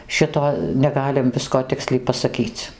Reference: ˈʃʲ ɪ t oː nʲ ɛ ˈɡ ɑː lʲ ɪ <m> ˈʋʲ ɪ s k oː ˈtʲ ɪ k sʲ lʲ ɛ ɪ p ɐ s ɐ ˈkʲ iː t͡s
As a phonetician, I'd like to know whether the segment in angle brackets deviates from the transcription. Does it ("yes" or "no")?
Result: no